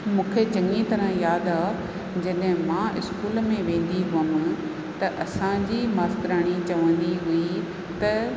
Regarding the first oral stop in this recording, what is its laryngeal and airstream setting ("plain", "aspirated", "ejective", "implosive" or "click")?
aspirated